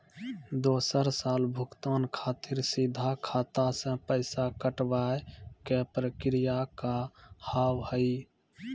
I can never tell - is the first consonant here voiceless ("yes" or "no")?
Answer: no